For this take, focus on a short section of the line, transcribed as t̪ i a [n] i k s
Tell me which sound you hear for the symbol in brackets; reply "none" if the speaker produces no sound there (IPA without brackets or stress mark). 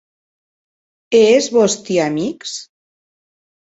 m